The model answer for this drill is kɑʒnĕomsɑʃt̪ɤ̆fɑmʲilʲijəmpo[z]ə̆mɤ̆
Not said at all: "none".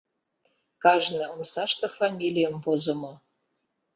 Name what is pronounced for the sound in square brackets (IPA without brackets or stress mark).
z